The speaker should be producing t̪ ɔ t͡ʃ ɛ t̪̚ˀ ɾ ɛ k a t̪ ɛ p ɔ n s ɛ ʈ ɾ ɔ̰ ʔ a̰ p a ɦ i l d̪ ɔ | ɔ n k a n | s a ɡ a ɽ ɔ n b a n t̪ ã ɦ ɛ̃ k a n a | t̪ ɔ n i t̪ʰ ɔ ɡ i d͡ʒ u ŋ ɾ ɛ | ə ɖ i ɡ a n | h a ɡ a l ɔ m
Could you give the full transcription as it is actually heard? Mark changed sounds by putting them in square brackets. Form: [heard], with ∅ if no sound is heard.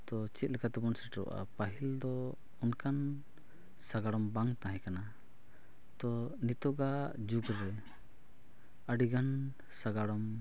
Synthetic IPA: t̪ ɔ t͡ʃ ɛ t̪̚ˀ [l] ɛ k a t̪ ɛ [b] ɔ n s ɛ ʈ ɾ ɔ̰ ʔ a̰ p a ɦ i l d̪ ɔ | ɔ n k a n | s a ɡ a ɽ ɔ [m] b a [ŋ] t̪ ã ɦ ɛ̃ k a n a | t̪ ɔ n i [t̪] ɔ ɡ [a] d͡ʒ u [ɡ] ɾ ɛ | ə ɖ i ɡ a n | [s] a ɡ a [ɽ] ɔ m